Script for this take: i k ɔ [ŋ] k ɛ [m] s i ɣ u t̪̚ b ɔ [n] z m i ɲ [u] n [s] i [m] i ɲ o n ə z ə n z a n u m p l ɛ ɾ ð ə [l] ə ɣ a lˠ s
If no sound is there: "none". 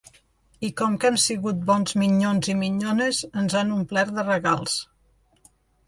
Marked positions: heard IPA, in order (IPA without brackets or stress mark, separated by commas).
m, m, n, o, z, m, r